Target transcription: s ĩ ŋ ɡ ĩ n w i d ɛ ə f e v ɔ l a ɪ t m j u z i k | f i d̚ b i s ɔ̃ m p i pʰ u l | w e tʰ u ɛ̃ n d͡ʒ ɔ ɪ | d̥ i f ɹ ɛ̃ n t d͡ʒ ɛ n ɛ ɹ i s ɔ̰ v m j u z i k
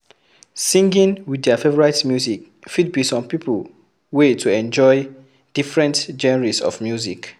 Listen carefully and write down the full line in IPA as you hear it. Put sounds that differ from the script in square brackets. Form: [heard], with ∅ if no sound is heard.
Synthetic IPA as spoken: s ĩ ŋ ɡ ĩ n w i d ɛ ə f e v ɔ [ɹ] a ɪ t m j u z i k | f i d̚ b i s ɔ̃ m p i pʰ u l | w e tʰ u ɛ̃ n d͡ʒ ɔ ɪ | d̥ i f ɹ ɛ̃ n t d͡ʒ ɛ n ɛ ɹ i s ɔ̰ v m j u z i k